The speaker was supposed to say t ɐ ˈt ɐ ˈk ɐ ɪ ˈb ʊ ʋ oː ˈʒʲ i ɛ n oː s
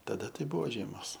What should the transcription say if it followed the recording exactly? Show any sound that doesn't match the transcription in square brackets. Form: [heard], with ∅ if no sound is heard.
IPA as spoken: t ɐ [ˈd] ɐ [ˈt] ɐ ɪ ˈb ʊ ʋ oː ˈʒʲ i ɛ [m] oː s